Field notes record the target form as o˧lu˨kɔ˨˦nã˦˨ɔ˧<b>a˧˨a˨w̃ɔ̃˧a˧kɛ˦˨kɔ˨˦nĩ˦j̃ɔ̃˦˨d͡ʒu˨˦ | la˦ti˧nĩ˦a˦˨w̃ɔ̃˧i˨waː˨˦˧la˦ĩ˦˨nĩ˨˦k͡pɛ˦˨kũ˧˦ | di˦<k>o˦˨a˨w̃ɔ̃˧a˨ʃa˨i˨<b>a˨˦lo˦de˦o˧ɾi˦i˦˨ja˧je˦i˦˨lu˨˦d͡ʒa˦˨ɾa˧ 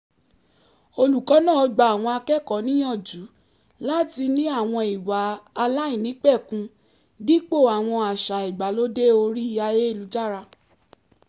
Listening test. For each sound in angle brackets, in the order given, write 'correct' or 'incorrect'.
incorrect: ɡ͡b, incorrect: k͡p, incorrect: ɡ͡b

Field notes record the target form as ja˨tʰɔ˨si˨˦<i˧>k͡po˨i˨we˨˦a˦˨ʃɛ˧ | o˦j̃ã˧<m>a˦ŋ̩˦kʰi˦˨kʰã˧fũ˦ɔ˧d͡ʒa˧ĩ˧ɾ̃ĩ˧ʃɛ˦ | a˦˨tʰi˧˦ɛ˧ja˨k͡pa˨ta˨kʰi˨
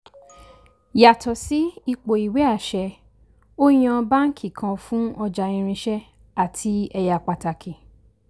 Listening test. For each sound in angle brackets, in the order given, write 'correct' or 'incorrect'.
correct, incorrect: b

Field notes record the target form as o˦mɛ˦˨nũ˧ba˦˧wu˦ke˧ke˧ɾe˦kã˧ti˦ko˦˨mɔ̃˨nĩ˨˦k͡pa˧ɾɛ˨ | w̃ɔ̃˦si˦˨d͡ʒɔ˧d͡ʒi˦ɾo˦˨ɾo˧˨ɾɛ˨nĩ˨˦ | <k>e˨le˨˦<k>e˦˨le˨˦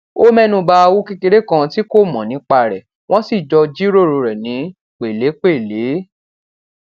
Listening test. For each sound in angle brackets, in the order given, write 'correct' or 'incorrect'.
incorrect: k͡p, incorrect: k͡p

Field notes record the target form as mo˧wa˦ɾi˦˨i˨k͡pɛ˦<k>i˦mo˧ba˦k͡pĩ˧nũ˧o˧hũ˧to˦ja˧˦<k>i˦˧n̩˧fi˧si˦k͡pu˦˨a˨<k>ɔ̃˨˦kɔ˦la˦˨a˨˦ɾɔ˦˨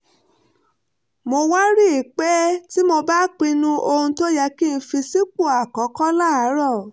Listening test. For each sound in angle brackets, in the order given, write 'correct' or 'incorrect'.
incorrect: t, correct, correct

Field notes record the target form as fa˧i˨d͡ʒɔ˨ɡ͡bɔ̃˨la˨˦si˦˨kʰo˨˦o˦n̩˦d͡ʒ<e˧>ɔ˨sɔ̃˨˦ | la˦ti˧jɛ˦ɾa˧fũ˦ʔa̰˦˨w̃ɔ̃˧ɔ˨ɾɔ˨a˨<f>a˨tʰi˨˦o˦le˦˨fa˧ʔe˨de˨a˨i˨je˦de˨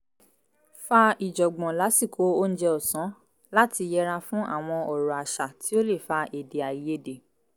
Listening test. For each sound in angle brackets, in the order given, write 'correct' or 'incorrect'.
incorrect: ɛ˧, incorrect: ʃ

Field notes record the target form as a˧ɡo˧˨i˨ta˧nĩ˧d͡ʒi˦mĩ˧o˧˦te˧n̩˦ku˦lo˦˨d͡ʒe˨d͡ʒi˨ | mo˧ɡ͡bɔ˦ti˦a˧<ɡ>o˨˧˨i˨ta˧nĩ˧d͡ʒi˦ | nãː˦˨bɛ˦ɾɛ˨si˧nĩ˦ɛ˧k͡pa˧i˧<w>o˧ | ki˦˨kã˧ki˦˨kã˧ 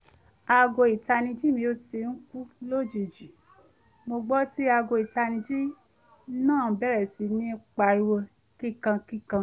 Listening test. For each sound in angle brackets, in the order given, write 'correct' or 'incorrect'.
correct, correct

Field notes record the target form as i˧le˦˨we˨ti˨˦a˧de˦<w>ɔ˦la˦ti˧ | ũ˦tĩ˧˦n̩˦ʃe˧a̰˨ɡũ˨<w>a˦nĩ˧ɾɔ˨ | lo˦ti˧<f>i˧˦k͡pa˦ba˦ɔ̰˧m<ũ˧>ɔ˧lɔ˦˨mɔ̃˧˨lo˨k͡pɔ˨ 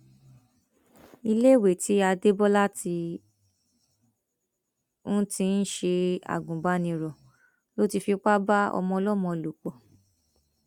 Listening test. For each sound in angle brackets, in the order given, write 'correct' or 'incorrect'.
incorrect: b, incorrect: b, correct, incorrect: ɔ̃˧

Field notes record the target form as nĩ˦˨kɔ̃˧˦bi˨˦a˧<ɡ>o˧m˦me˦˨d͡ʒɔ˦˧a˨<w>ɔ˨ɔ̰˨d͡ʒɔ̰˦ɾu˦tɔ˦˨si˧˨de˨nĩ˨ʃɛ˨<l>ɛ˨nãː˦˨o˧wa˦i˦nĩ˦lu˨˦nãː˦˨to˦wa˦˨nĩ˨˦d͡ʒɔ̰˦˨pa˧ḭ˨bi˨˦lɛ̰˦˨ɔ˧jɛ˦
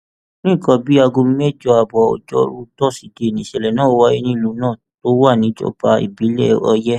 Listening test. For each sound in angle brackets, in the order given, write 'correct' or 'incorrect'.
correct, incorrect: b, correct

